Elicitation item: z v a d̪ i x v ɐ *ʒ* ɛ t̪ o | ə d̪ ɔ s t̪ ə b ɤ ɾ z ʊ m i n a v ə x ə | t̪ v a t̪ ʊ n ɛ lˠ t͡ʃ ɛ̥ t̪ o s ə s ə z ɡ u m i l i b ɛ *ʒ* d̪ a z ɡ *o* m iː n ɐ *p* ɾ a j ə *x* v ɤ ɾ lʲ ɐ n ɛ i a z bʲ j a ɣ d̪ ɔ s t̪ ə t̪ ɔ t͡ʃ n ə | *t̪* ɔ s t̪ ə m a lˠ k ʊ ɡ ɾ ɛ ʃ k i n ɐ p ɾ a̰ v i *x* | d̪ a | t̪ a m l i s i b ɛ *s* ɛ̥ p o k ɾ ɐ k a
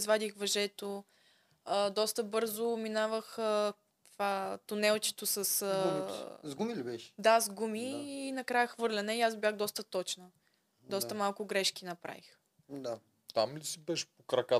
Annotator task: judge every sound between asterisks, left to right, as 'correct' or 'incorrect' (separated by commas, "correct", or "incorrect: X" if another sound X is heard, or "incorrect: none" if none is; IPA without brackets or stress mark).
correct, incorrect: ʃ, incorrect: u, incorrect: k, correct, incorrect: d̪, correct, incorrect: ʃ